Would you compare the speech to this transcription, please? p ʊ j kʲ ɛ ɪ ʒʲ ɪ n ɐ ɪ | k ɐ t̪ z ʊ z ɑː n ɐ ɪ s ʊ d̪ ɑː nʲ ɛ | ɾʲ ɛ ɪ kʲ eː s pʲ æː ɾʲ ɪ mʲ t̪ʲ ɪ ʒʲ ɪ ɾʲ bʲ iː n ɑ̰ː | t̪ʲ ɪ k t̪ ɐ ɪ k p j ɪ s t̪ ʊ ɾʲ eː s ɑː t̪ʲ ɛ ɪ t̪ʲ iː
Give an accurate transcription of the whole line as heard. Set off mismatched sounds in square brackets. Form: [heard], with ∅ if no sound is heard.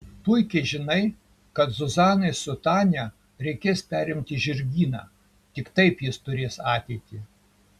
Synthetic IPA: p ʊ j kʲ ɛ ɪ ʒʲ ɪ n ɐ ɪ | k ɐ t̪ z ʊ z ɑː n ɐ ɪ s ʊ [t̪] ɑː nʲ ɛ | ɾʲ ɛ ɪ kʲ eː s pʲ æː ɾʲ ɪ mʲ t̪ʲ ɪ ʒʲ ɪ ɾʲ [ɡʲ] iː n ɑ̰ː | t̪ʲ ɪ k t̪ ɐ ɪ [∅] p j ɪ s t̪ ʊ ɾʲ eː s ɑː t̪ʲ ɛ ɪ t̪ʲ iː

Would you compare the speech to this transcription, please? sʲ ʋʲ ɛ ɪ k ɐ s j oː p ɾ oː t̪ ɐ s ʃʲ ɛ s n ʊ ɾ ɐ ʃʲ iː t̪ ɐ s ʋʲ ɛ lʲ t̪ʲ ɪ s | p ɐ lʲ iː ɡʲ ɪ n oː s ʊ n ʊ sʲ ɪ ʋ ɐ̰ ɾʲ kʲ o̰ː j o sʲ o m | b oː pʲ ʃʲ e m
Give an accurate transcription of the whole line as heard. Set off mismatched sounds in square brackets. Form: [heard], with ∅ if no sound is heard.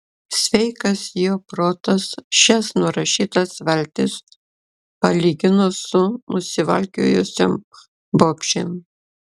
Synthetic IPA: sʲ ʋʲ ɛ ɪ k ɐ s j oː p ɾ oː t̪ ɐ s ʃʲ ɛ s n ʊ ɾ ɐ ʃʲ iː t̪ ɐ s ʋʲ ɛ lʲ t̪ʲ ɪ s | p ɐ lʲ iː ɡʲ ɪ n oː s ʊ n ʊ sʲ ɪ ʋ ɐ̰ [lʲ] kʲ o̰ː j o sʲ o m | b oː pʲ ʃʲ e m

